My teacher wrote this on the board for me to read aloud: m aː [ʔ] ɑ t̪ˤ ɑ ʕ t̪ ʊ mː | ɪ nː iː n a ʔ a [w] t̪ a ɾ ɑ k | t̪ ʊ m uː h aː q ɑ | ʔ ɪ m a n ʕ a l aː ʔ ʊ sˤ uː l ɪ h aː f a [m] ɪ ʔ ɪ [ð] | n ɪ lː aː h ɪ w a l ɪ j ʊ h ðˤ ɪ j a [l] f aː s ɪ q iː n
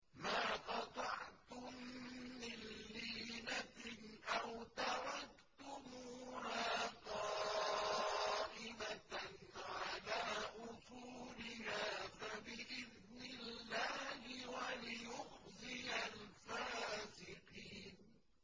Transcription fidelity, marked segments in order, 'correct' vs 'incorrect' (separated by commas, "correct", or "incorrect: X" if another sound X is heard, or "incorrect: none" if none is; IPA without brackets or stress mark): incorrect: q, correct, incorrect: b, correct, correct